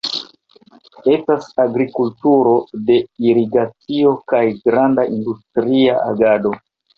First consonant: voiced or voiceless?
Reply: voiceless